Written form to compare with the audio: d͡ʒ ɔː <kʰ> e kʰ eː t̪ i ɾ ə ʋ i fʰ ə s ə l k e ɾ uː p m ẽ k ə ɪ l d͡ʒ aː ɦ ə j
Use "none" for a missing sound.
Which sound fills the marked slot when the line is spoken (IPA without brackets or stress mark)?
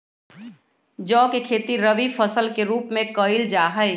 k